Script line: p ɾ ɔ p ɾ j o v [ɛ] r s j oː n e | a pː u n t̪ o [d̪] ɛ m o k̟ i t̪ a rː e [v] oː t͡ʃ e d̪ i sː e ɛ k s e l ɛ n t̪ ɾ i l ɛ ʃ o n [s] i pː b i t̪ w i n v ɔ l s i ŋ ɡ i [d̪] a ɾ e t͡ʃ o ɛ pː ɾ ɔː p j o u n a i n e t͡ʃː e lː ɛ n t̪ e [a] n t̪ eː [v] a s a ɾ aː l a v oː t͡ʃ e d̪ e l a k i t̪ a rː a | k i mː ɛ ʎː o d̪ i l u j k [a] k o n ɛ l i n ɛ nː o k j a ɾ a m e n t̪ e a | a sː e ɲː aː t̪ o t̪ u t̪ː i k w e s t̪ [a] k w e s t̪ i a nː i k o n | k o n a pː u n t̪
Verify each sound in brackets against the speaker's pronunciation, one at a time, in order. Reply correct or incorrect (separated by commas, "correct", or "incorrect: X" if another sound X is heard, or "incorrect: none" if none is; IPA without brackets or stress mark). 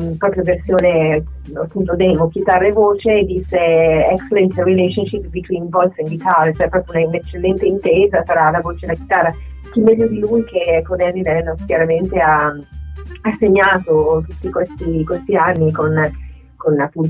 incorrect: e, correct, correct, incorrect: ʃ, incorrect: t̪, incorrect: i, incorrect: z, incorrect: e, incorrect: i